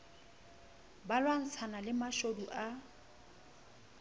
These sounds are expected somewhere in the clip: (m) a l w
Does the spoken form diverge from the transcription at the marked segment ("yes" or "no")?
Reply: yes